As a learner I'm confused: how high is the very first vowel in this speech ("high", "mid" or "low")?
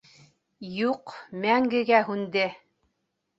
high